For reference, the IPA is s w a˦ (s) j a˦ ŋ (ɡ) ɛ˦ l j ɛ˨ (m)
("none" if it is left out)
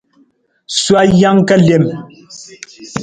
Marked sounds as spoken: none, k, m

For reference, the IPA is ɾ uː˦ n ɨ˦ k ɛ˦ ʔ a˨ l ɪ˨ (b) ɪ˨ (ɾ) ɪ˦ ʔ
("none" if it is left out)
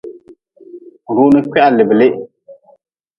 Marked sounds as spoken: b, l

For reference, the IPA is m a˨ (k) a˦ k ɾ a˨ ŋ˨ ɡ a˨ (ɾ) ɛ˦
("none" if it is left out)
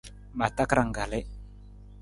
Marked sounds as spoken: t, l

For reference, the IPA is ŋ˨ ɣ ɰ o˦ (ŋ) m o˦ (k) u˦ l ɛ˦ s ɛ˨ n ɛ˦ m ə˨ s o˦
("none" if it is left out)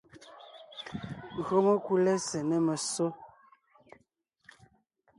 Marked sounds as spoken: none, k

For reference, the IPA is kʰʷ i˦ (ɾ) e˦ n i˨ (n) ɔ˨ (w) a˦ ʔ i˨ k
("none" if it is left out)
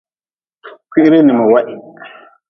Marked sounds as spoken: ɾ, m, w

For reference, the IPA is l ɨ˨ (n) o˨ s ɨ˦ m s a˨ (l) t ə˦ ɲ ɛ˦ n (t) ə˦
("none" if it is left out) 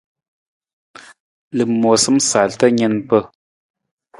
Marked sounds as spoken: m, l, p

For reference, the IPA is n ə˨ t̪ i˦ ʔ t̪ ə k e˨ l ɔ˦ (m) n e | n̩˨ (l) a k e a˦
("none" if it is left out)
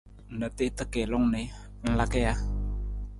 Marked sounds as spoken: ŋ, l

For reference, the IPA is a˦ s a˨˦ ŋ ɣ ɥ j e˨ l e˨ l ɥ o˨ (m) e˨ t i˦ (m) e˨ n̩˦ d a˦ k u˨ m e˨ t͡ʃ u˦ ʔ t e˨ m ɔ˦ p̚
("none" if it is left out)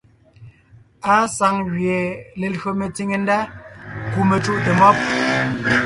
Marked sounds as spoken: m, ŋ

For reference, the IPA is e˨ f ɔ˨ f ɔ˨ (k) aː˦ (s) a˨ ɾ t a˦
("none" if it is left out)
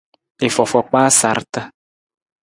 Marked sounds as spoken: k͡p, s

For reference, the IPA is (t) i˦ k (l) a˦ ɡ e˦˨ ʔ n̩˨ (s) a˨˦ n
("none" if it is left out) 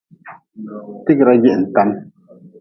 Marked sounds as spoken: t, ɾ, t

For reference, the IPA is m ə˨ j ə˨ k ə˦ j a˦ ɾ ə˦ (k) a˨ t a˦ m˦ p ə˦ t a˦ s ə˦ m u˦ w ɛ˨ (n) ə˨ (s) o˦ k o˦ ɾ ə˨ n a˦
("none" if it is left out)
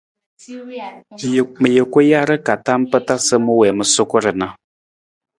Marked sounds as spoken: k, m, s

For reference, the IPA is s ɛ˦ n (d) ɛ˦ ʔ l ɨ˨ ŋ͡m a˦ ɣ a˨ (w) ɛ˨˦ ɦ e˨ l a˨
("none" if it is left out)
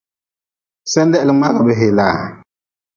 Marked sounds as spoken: d, b

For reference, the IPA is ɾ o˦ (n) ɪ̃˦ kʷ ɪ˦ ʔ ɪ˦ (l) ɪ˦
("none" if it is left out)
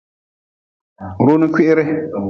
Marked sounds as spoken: n, ɾ

